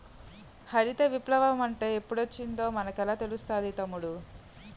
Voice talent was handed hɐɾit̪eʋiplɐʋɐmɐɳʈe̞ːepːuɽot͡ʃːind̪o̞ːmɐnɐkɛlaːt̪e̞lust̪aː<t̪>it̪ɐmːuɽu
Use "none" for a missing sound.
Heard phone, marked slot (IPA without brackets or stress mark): d̪